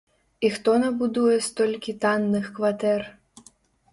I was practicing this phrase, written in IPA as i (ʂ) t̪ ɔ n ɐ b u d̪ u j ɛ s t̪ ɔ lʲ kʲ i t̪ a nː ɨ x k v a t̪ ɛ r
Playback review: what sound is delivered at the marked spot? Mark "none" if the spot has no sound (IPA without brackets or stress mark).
x